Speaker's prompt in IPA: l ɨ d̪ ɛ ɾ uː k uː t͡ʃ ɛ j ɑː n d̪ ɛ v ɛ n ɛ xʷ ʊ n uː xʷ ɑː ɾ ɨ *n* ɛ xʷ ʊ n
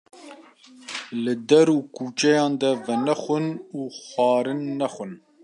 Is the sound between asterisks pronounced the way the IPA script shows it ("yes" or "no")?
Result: no